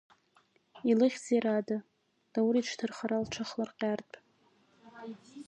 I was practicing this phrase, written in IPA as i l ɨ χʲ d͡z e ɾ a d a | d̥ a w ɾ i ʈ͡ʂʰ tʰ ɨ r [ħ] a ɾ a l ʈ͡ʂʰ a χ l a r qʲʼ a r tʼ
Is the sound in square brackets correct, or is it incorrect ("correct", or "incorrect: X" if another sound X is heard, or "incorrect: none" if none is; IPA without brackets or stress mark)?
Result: incorrect: χ